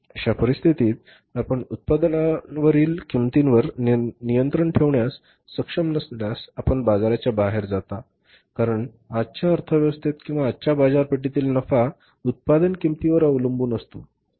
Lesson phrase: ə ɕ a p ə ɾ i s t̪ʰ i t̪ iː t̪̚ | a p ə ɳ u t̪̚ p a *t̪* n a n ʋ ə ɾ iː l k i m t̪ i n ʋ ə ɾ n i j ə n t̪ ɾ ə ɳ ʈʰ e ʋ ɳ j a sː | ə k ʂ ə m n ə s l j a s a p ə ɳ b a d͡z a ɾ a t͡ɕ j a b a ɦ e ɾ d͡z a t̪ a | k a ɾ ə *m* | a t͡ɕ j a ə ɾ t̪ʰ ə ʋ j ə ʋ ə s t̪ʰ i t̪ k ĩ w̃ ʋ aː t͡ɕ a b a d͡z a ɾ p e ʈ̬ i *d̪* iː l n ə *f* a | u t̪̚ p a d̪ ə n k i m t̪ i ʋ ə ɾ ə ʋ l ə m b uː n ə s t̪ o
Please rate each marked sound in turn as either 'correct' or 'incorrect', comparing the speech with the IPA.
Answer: incorrect, incorrect, incorrect, correct

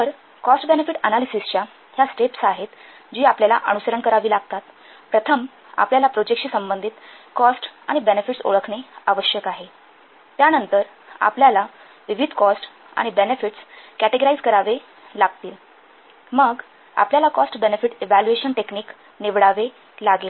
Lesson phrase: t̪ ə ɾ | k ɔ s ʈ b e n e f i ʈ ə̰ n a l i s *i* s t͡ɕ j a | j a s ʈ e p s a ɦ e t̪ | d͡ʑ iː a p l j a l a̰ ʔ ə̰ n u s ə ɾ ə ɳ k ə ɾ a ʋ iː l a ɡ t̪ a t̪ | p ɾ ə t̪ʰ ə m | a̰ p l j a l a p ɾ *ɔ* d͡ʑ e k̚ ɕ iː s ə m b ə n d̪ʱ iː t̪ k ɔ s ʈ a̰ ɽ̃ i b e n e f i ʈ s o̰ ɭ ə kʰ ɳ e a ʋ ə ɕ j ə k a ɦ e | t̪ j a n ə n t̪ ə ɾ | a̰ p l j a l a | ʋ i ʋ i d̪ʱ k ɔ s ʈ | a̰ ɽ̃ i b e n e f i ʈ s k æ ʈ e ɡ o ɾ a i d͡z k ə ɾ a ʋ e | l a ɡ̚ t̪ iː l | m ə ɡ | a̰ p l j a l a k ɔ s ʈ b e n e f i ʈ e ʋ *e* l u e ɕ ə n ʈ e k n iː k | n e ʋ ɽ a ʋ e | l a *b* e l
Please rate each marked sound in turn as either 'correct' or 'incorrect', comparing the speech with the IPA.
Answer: correct, incorrect, incorrect, incorrect

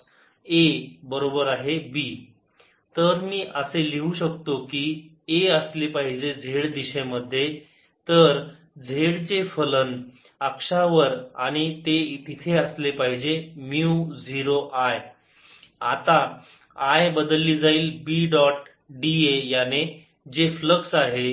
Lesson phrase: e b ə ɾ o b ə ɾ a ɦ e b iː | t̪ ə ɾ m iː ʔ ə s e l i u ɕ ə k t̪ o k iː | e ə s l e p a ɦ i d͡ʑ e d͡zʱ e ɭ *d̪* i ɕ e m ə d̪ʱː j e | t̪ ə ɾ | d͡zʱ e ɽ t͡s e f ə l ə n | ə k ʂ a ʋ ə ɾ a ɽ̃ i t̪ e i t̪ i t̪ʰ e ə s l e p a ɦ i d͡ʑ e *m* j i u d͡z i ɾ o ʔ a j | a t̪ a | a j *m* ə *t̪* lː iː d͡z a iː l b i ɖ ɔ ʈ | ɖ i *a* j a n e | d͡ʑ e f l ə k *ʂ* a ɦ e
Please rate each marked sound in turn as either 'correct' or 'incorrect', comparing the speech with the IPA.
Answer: correct, correct, incorrect, incorrect, incorrect, incorrect

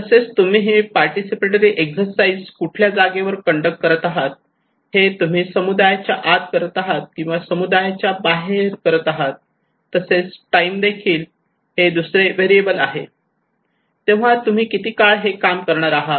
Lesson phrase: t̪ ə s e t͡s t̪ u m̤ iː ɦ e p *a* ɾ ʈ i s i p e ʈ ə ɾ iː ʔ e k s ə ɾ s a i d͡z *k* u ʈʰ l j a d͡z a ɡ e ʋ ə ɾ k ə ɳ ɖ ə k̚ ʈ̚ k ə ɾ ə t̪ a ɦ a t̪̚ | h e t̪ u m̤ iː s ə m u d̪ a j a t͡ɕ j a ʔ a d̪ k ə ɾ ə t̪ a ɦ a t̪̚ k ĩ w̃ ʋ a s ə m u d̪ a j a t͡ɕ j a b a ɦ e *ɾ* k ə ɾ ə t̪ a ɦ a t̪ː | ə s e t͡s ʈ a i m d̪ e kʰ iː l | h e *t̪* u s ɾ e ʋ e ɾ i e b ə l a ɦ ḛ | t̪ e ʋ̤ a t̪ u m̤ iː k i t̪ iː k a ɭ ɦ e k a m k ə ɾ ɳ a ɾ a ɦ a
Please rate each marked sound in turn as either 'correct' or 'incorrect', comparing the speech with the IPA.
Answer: correct, correct, correct, incorrect

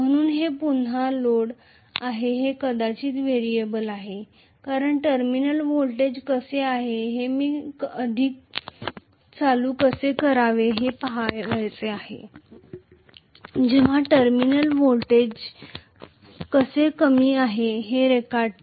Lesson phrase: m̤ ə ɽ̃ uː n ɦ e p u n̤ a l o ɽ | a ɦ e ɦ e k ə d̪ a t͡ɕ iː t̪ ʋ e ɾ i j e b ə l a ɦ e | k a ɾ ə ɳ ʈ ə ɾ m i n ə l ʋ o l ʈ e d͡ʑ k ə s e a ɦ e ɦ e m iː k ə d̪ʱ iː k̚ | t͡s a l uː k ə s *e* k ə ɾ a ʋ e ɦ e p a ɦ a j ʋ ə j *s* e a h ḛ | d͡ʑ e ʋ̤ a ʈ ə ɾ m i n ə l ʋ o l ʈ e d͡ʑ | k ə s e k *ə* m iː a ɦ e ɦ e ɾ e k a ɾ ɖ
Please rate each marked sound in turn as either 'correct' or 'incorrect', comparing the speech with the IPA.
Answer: correct, incorrect, correct

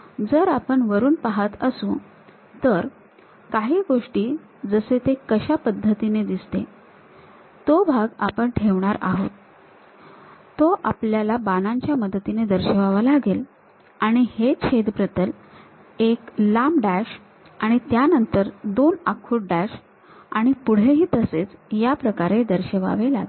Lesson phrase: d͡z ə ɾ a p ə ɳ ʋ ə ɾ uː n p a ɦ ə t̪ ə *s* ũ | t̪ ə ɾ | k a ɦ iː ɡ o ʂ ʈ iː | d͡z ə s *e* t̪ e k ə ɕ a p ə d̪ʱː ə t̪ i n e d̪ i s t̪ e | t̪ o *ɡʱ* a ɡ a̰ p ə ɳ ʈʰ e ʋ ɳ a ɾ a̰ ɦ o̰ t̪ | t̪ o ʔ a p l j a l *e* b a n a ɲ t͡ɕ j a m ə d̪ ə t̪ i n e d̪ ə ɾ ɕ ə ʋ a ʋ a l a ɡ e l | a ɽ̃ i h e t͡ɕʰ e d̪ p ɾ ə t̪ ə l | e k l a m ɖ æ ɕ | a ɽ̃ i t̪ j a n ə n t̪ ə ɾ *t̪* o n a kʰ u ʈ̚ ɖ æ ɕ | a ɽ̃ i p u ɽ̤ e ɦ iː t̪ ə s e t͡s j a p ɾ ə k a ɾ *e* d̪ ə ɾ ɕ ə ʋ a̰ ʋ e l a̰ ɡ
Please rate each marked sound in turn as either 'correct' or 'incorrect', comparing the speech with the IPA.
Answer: correct, correct, incorrect, incorrect, incorrect, correct

